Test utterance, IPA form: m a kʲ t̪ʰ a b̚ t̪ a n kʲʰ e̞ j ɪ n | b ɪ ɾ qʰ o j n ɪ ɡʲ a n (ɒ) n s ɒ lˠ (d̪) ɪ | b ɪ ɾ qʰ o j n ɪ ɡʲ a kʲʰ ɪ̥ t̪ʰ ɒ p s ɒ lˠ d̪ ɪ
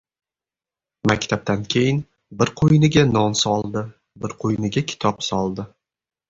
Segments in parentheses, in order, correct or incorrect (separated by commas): correct, correct